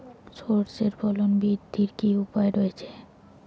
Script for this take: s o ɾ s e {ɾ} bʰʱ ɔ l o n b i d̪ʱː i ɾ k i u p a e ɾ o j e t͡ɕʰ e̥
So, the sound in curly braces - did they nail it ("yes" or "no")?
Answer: yes